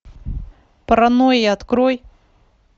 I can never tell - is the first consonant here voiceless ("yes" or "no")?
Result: yes